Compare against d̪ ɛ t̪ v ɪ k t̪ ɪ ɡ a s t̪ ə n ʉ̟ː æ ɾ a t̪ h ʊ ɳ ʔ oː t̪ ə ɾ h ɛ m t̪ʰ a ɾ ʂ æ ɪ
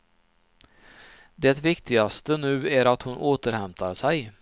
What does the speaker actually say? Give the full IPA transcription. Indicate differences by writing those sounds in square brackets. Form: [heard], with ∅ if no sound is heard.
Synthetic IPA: d̪ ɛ t̪ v ɪ k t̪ ɪ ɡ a s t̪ ə n ʉ̟ː æ ɾ a t̪ h ʊ [n] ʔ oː t̪ ə ɾ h ɛ m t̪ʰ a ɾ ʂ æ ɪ